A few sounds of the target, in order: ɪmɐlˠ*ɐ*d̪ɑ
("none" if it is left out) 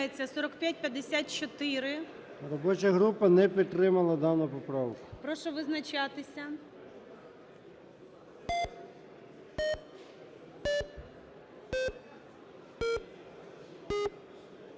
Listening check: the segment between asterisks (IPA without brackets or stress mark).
ɐ